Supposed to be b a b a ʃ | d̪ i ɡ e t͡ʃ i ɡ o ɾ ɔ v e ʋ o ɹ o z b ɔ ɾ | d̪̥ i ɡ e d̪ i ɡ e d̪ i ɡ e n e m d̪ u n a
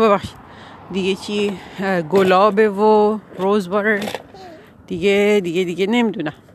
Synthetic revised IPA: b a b a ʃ | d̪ i ɡ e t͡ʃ i ɡ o l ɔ b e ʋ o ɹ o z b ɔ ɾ | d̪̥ i ɡ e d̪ i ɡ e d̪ i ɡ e n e m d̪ u n a